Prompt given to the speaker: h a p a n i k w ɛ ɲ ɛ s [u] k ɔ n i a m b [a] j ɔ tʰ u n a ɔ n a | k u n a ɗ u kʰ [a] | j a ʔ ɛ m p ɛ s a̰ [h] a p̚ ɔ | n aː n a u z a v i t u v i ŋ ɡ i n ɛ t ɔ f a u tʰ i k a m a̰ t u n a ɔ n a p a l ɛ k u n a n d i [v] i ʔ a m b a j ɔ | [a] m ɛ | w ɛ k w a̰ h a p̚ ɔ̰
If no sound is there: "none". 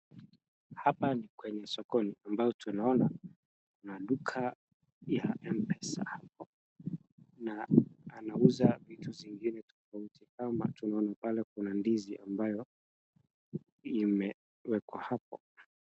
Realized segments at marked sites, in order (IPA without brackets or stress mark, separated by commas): ɔ, a, a, h, z, i